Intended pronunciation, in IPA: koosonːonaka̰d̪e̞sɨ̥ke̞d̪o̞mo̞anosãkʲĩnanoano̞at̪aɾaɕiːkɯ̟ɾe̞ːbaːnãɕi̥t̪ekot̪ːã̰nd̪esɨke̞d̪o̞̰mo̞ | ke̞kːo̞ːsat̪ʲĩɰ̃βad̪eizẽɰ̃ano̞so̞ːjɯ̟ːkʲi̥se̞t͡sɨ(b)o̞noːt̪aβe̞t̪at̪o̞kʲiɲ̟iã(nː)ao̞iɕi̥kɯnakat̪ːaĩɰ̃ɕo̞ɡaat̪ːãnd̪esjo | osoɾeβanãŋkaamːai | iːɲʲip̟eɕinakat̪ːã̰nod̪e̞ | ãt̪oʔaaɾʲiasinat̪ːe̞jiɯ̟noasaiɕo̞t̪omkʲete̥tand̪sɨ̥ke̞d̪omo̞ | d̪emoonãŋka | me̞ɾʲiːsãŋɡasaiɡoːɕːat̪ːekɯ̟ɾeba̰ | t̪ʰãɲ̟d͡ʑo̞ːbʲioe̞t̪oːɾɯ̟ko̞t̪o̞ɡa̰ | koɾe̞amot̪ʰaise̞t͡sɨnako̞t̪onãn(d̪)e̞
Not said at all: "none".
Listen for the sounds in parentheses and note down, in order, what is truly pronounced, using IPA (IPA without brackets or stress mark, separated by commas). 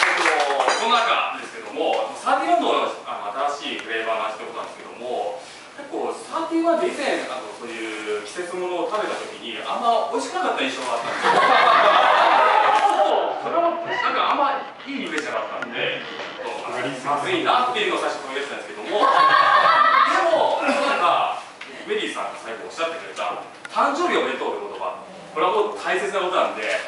m, mː, d̪